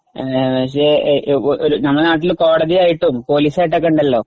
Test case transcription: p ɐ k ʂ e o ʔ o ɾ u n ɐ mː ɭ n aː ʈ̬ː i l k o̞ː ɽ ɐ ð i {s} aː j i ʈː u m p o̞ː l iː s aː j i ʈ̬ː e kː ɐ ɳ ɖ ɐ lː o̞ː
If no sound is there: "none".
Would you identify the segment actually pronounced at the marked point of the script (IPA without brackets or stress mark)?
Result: none